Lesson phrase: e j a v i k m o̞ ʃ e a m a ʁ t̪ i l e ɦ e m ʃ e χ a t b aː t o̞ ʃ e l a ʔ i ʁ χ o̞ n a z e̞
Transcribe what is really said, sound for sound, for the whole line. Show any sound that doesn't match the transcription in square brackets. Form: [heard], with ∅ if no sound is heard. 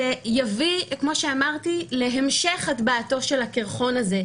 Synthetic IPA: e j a v i k m o̞ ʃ e a m a ʁ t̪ i l e ɦ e m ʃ e χ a t b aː t o̞ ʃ e l a [k] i ʁ χ o̞ n a z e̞